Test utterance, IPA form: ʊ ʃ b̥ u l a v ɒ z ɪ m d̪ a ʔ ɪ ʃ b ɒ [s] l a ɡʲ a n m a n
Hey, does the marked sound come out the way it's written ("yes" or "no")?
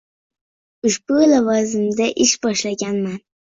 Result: no